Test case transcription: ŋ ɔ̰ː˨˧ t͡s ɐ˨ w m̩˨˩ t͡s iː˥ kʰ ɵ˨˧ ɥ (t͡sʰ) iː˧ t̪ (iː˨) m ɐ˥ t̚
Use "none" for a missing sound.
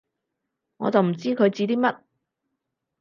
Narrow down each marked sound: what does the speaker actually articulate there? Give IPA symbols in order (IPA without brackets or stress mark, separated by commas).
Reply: t͡s, iː˥